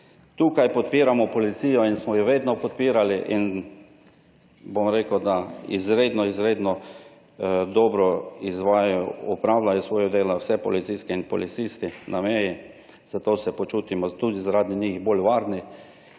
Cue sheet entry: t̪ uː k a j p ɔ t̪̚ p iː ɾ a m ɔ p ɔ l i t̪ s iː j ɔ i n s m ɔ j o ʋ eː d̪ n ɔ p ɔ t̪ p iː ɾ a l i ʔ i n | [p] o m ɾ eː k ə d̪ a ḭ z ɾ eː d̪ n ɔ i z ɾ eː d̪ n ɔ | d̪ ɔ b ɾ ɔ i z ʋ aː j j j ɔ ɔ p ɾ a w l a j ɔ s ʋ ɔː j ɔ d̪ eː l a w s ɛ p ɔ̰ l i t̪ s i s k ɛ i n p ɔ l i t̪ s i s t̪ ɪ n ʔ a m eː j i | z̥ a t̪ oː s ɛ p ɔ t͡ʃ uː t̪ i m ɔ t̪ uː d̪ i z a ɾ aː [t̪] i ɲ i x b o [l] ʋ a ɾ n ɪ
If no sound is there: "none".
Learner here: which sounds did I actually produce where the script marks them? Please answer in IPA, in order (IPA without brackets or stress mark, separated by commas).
b, d̪, l